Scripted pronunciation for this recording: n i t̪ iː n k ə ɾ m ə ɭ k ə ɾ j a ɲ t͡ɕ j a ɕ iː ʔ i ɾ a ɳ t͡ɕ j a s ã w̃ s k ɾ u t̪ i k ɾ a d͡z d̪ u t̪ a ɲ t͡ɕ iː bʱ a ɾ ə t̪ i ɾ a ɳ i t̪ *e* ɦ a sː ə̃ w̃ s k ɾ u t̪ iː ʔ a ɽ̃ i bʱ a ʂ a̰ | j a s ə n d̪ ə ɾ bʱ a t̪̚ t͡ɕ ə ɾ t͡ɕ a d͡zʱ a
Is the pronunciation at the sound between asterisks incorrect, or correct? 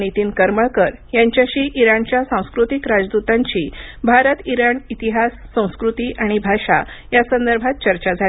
incorrect